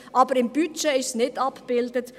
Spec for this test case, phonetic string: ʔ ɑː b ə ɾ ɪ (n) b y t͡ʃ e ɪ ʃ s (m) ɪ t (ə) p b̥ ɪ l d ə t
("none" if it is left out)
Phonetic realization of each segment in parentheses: m, n, ɑ

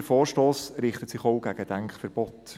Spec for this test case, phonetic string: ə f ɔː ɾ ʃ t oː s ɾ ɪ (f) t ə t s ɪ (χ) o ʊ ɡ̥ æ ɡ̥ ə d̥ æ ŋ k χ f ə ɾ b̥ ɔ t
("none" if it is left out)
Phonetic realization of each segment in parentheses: χ, χ

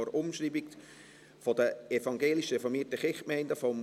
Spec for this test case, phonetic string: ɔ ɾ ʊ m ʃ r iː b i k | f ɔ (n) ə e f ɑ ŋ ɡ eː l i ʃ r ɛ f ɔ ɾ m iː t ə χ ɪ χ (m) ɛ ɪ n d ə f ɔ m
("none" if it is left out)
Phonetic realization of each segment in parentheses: d, m

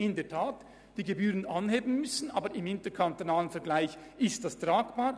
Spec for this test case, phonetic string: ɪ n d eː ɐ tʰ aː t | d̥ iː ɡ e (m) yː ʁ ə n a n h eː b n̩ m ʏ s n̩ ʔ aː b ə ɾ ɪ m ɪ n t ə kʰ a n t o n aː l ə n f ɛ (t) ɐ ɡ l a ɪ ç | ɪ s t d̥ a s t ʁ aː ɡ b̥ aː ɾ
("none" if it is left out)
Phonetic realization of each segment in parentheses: b, none

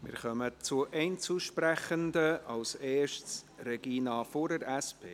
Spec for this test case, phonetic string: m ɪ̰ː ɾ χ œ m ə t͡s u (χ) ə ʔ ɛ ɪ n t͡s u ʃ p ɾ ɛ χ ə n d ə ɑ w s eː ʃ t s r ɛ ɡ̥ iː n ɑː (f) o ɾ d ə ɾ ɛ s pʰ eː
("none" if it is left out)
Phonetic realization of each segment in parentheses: none, f

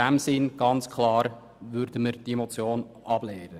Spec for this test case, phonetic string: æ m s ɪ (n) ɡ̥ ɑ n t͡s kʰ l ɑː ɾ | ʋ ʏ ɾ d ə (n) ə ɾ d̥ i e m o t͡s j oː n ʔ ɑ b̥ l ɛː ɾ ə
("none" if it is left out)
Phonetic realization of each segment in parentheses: n, m

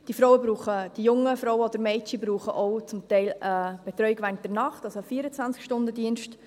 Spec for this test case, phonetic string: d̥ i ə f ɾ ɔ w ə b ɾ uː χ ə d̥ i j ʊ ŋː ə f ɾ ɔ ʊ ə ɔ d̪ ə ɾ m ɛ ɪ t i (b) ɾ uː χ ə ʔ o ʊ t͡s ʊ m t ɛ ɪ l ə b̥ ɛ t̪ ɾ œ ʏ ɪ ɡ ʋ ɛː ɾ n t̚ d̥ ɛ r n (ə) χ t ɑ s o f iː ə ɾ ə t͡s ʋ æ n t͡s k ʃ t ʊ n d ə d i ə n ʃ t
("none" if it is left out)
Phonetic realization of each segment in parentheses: b, ɑ

